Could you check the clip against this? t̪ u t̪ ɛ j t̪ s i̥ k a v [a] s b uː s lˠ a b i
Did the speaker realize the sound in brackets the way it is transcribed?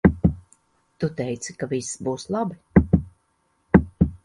no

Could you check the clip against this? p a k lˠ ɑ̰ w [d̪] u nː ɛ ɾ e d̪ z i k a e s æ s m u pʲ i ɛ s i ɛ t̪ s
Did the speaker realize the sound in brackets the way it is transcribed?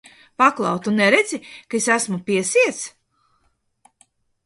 no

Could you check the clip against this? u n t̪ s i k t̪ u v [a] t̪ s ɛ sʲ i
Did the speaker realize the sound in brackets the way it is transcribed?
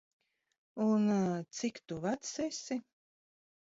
yes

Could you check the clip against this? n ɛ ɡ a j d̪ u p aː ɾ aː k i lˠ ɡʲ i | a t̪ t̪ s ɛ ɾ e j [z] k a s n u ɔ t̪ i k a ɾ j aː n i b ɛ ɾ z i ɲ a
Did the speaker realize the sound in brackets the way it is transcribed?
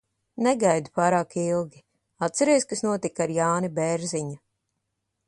no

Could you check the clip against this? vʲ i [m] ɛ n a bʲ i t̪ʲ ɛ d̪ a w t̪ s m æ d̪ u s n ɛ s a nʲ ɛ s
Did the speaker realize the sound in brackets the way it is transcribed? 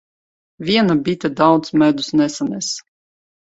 no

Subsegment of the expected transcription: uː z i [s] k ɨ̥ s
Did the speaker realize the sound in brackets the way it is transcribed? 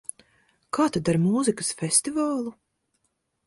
no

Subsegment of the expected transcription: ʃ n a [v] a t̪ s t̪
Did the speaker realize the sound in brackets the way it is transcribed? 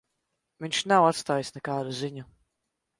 no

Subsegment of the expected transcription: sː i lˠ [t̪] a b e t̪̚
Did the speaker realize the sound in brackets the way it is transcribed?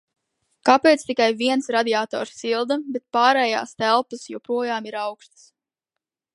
no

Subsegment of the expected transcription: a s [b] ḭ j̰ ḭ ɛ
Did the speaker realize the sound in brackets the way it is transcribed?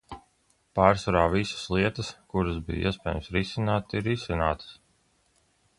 yes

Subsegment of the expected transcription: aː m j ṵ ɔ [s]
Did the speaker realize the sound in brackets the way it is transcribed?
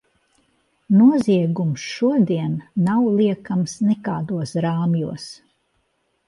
yes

